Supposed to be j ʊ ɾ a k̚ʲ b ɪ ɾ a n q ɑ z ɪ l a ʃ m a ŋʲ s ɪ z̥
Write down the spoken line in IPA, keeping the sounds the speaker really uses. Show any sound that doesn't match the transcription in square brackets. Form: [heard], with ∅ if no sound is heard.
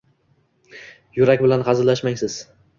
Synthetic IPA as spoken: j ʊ ɾ a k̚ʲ b ɪ [l] a n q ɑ z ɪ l a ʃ m a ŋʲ s ɪ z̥